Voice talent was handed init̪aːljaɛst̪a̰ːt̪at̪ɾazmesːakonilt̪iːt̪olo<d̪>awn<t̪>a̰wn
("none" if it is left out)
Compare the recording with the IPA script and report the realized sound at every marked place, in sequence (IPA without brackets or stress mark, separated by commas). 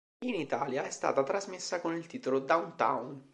d̪, t̪